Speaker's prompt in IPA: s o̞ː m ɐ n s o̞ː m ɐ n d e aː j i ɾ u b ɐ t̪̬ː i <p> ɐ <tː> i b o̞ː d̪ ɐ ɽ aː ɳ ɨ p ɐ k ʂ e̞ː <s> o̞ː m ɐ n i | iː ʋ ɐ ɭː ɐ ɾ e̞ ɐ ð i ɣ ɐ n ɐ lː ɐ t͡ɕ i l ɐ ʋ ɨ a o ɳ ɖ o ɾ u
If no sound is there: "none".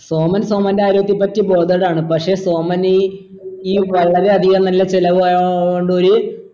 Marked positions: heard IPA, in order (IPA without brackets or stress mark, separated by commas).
p, tː, s